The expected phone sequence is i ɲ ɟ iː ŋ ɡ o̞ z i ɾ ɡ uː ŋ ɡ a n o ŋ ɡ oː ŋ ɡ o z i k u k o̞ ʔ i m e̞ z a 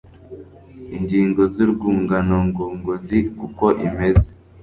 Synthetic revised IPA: i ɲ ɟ iː ŋ ɡ o̞ z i ɾ ɡ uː ŋ ɡ a n o ŋ ɡ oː ŋ ɡ o z i k u k o̞ ʔ i m e̞ z e